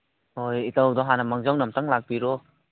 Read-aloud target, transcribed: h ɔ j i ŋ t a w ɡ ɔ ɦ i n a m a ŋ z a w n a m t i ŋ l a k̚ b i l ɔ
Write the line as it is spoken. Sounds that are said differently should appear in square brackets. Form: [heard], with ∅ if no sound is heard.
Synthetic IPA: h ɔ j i [∅] t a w [d] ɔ ɦ [a] n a m a ŋ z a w n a m t [a] ŋ l a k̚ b i [ɾ] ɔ